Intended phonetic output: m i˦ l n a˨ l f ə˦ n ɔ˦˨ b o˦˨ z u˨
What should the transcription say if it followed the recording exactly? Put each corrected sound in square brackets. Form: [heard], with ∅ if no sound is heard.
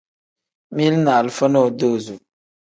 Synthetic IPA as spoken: m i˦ l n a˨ l f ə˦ n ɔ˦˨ [d] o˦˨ z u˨

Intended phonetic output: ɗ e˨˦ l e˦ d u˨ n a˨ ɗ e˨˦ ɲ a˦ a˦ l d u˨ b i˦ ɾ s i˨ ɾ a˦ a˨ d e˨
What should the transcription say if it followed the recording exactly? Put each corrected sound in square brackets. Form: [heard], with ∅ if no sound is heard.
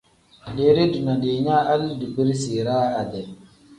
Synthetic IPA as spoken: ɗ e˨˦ [ɾ] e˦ d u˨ n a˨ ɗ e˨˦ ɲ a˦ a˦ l d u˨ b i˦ ɾ s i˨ ɾ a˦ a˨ d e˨

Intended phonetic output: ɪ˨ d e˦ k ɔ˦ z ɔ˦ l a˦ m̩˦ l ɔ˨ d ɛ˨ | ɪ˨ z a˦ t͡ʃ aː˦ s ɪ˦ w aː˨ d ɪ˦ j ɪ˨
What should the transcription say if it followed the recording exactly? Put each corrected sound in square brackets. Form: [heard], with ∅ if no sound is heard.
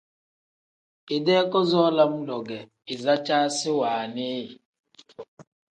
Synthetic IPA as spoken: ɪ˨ d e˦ k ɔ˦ z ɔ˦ l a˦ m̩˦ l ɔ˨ [ɡ] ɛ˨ | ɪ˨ z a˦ t͡ʃ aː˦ s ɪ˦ w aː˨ [n] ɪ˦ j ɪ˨

